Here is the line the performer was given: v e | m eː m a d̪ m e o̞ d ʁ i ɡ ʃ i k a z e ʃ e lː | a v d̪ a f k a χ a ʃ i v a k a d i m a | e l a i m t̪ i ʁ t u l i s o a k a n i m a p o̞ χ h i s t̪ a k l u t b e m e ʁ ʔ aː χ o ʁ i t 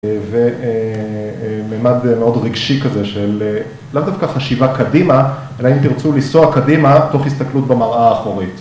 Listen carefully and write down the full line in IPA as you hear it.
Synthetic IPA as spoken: v e | m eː m a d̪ m e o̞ d ʁ i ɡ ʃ i k a z e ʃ e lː | a v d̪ a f k a χ a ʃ i v a k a d i m a | e l a i m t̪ i ʁ t͡s u l i s o a k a d i m a t o̞ χ h i s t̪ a k l u t b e m a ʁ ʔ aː χ o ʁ i t